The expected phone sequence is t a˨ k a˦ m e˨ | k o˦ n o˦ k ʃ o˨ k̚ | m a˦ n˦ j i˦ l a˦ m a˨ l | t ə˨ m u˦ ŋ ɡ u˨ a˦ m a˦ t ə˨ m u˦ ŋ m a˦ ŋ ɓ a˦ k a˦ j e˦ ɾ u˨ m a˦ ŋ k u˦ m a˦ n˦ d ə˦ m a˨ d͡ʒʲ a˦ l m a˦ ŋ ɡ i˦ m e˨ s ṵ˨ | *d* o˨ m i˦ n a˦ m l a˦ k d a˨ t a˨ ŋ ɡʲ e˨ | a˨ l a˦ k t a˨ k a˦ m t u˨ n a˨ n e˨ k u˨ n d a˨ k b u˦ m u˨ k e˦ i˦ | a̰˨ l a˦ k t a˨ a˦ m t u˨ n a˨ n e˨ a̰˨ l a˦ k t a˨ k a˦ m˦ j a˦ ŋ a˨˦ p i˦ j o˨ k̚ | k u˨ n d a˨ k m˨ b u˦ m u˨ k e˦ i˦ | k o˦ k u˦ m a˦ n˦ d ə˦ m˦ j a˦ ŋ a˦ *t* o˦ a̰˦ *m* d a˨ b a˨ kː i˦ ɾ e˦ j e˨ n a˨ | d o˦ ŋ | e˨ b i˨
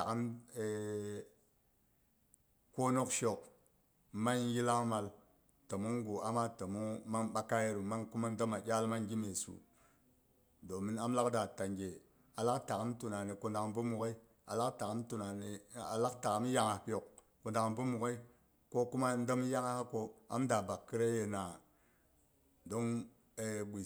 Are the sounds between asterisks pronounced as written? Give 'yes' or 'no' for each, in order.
yes, no, yes

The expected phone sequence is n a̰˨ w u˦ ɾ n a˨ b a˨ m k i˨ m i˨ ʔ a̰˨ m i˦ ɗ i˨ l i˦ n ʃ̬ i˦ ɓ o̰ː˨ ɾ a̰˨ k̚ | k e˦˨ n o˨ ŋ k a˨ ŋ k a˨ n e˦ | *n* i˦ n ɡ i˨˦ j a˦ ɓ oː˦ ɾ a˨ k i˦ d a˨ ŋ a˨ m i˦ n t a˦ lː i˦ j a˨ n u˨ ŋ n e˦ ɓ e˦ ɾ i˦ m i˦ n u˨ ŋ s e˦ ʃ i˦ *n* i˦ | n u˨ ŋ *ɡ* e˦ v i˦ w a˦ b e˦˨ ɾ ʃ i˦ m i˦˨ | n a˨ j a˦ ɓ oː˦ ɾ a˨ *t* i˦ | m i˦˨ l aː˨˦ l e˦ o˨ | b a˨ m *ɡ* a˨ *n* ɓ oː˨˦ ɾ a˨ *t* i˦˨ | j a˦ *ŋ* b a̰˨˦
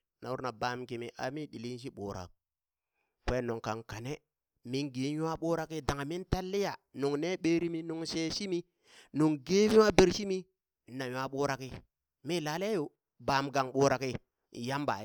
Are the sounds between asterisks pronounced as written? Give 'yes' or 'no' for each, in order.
no, no, yes, no, yes, no, no, no

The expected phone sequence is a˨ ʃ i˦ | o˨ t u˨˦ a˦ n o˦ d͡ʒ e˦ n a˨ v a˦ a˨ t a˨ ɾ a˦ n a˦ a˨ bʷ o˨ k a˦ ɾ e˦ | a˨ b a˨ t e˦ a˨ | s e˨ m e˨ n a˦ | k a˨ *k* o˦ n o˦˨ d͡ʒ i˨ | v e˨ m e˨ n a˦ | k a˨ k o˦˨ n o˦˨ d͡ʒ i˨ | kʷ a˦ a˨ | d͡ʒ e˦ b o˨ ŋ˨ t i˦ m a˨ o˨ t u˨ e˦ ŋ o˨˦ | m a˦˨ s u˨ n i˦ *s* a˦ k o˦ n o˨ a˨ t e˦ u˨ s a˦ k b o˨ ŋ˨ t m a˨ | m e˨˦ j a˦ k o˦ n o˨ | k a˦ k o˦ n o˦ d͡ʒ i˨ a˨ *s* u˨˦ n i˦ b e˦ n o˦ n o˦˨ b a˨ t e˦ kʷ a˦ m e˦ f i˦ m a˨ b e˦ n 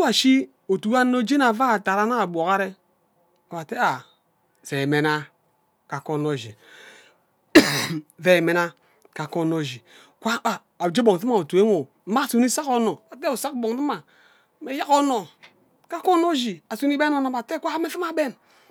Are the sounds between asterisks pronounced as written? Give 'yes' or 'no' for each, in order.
yes, yes, yes

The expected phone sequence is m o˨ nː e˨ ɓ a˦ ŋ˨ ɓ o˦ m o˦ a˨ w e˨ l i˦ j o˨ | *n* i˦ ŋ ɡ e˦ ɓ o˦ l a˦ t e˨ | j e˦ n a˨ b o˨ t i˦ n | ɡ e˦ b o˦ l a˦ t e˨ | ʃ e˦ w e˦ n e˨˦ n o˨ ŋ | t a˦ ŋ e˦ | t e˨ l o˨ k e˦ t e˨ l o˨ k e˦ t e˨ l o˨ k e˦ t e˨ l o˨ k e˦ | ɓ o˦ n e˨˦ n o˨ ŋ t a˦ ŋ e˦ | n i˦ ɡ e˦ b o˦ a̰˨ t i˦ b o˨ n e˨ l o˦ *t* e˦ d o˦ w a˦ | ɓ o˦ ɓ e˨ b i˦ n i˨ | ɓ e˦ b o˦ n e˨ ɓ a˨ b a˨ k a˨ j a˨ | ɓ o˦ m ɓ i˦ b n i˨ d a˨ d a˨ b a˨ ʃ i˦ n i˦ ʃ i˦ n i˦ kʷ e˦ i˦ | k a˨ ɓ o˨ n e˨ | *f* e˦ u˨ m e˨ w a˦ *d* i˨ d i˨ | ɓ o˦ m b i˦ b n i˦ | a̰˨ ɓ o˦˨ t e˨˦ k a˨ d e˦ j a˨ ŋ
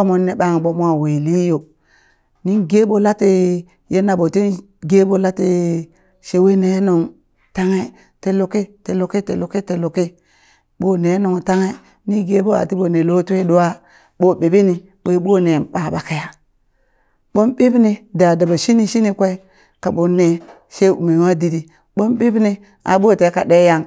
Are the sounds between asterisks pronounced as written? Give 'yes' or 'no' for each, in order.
yes, yes, no, yes

